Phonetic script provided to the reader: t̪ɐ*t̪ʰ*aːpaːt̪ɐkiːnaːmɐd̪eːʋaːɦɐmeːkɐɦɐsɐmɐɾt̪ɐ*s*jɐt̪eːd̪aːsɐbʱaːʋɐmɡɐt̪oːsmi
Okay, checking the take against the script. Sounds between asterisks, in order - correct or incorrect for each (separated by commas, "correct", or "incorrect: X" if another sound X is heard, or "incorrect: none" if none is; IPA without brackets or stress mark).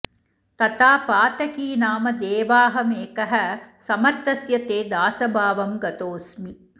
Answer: incorrect: t̪, correct